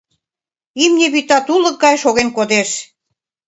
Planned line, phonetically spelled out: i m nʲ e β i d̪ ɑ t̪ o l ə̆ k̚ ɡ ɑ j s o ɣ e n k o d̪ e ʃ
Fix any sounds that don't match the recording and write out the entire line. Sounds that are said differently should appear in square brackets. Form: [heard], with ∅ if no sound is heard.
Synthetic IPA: i m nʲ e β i [t̪] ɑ t̪ [u] l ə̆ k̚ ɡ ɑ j [ʃ] o ɣ e n k o d̪ e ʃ